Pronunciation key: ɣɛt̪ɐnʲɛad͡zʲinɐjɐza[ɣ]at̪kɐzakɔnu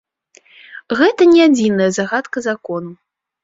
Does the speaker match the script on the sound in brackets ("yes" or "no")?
yes